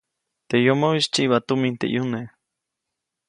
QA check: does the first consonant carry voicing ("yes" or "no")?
no